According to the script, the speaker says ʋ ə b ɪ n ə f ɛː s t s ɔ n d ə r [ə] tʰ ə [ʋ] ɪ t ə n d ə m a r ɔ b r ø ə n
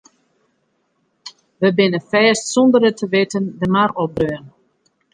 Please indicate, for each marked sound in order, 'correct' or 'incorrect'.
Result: correct, correct

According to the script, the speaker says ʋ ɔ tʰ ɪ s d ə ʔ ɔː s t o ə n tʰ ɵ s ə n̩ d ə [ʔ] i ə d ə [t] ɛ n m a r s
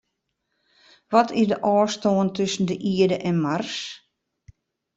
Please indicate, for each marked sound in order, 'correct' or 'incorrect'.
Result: correct, incorrect

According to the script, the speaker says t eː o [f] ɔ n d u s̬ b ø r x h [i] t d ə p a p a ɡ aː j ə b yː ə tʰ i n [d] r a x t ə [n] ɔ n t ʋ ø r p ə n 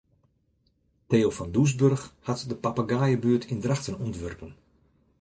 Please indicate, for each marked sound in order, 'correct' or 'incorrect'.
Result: correct, incorrect, correct, correct

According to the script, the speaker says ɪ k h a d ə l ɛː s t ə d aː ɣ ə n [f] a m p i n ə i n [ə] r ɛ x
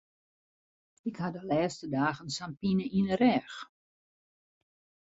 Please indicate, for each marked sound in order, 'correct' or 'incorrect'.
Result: incorrect, correct

